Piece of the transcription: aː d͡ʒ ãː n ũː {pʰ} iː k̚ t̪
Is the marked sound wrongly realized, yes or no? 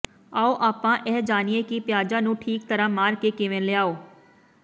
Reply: yes